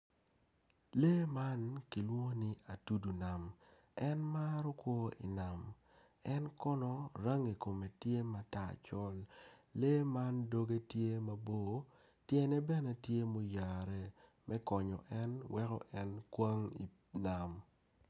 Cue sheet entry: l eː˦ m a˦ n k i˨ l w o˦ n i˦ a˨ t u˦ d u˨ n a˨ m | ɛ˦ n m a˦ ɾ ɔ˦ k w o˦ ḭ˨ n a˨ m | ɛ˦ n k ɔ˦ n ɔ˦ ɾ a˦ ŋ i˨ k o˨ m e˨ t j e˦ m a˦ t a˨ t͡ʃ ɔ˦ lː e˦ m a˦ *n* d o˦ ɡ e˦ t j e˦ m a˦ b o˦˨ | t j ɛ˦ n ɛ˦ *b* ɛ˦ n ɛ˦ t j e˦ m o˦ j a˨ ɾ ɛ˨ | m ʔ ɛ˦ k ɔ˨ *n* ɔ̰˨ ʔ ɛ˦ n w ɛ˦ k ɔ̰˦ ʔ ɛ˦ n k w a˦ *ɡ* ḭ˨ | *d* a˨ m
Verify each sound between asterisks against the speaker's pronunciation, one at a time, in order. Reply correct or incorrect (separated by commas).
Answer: correct, correct, incorrect, incorrect, incorrect